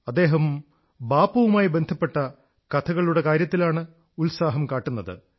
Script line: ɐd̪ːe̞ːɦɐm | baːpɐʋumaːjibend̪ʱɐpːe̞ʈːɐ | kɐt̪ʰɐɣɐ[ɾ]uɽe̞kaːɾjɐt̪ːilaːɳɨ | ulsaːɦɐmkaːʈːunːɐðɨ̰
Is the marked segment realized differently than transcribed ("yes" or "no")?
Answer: yes